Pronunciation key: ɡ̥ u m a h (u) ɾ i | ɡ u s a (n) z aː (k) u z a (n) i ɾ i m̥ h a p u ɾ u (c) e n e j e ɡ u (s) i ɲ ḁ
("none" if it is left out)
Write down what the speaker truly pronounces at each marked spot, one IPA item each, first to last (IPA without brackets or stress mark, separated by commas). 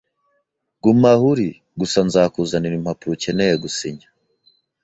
u, n, k, n, c, s